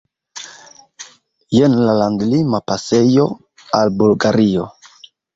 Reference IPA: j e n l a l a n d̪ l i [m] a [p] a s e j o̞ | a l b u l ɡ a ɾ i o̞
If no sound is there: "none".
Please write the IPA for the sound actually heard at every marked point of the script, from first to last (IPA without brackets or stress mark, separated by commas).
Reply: m, p